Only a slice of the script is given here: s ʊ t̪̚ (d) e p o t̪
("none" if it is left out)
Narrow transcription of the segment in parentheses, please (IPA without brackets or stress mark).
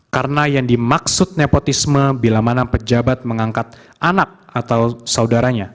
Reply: n